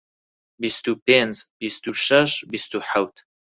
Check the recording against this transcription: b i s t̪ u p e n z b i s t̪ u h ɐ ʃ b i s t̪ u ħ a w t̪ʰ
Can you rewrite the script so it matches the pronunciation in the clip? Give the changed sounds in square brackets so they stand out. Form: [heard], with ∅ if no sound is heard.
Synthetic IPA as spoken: b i s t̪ u p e n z b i s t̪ u [ʃ] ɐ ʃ b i s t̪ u ħ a w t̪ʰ